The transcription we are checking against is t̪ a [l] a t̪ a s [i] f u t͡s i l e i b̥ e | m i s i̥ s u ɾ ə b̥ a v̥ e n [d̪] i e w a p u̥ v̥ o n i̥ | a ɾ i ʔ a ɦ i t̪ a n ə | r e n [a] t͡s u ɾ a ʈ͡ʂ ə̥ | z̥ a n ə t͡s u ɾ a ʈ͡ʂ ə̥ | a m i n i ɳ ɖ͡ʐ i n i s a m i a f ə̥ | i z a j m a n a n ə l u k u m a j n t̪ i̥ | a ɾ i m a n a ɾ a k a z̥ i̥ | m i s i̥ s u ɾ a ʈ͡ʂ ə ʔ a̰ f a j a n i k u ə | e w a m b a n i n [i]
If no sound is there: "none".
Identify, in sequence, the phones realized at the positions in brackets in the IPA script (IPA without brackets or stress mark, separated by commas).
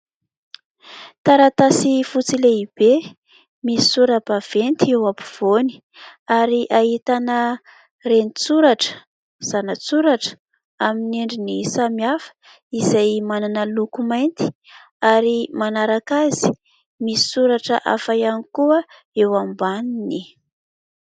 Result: ɾ, i, t̪, i, i